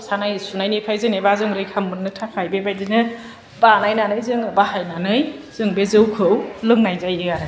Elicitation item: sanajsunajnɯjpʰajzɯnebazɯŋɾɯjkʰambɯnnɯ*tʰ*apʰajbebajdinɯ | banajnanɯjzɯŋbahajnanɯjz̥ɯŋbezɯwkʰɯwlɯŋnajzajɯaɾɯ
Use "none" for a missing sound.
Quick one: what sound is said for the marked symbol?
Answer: tʰ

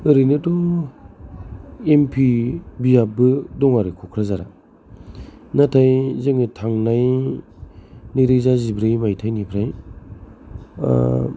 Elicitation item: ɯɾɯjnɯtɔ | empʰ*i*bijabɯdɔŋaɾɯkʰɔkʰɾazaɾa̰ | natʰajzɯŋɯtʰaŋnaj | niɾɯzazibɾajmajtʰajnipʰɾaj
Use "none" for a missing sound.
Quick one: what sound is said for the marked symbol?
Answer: i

